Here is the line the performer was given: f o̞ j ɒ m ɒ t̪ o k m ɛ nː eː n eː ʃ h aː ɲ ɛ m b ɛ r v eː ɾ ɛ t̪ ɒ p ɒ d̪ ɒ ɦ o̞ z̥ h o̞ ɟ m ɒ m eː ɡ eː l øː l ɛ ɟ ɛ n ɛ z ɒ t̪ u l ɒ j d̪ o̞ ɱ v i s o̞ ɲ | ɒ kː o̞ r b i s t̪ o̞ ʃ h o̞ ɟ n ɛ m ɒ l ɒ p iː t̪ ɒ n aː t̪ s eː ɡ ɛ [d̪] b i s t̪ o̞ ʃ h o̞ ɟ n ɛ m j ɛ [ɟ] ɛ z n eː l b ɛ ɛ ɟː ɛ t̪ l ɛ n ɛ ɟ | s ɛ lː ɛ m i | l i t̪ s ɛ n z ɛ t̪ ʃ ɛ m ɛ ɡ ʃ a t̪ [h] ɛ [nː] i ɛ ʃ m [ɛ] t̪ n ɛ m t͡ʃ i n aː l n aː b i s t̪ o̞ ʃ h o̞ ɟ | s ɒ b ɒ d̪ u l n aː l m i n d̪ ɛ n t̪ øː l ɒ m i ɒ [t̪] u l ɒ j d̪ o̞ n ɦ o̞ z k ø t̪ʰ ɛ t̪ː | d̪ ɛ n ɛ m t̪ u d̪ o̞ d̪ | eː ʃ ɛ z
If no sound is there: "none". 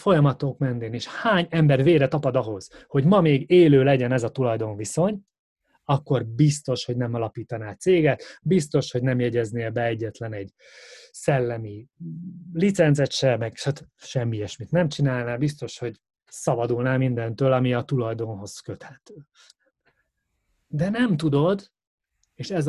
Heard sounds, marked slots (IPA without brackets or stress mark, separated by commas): t̪, ɟ, ʃ, mː, i, t̪